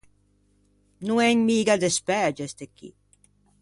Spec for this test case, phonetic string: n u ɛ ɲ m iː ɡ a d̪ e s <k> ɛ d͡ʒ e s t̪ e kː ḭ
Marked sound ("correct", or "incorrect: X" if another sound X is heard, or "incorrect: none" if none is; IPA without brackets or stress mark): incorrect: p